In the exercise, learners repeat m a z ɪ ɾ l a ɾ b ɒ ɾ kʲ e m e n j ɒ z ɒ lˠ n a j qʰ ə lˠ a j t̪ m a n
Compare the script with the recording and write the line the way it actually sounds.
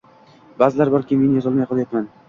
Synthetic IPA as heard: b a z ɪ l a ɾ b ɒ ɾ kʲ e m e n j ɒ z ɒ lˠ m a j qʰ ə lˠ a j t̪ m a n